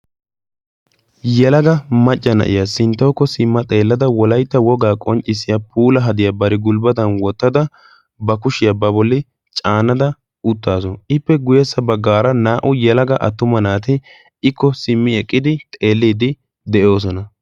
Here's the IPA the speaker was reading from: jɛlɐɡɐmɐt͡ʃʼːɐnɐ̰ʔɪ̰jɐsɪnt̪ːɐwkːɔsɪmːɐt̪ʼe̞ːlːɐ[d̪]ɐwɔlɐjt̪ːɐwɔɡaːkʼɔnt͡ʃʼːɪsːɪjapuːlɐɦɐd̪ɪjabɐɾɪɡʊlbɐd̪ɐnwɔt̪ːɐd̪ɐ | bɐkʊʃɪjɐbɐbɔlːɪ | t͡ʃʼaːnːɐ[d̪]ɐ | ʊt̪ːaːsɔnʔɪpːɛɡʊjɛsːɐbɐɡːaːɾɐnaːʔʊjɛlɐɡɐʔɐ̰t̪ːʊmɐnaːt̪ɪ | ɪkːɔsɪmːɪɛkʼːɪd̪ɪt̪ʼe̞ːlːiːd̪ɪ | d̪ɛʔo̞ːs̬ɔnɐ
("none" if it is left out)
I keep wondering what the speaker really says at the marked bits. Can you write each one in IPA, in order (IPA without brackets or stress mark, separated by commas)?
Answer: d̪, d̪